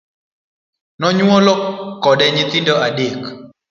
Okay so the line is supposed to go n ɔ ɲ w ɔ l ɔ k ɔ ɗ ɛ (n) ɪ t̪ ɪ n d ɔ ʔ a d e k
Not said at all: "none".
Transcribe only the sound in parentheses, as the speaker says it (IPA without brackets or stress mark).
ɲ